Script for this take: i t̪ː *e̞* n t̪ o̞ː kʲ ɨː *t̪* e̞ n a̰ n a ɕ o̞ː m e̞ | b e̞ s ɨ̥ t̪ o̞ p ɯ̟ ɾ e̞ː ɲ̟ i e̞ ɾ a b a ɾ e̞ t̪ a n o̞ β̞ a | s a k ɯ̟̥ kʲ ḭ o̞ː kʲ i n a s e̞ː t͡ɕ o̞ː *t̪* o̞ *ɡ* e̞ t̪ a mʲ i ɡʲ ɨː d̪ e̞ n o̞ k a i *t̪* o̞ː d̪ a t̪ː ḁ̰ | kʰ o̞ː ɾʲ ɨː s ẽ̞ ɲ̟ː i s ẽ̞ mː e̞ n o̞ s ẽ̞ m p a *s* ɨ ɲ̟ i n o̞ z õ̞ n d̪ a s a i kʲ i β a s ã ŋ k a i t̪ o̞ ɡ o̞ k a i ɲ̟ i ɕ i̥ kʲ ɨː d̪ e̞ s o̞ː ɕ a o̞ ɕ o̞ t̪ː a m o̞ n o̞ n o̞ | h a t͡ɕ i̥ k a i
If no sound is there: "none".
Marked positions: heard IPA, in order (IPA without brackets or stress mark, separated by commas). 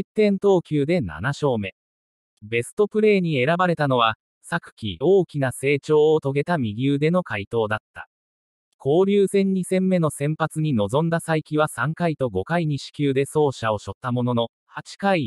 ẽ̞, d̪, t̪, ɡ, t̪, t͡s